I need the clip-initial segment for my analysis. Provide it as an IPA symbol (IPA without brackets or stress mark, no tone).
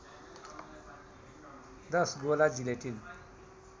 d̪